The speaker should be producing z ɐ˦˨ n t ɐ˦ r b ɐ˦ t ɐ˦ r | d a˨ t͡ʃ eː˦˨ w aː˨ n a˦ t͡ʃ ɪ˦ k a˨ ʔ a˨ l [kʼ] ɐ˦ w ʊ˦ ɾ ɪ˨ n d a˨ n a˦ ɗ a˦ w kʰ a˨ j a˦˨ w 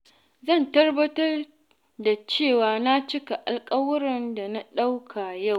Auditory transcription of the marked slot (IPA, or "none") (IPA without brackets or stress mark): kʼ